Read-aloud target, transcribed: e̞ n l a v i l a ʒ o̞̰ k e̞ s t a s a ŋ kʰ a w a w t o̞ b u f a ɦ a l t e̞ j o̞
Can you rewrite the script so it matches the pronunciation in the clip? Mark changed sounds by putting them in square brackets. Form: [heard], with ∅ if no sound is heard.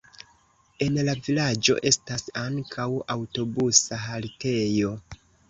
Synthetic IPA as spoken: e̞ n l a v i l a [d͡ʒ] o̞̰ [ʔ] e̞ s t a s a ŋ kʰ a w a w t o̞ b u [s] a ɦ a l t e̞ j o̞